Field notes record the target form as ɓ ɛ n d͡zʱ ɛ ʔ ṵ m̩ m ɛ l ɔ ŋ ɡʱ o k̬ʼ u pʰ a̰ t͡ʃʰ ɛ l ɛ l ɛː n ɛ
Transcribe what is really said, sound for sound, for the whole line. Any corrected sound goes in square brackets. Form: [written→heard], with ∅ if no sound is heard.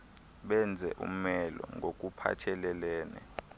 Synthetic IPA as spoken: ɓ ɛ n d͡zʱ ɛ ʔ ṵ m̩ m ɛ l ɔ ŋ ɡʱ o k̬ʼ u pʰ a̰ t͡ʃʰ ɛ l ɛ l ɛː n ɛ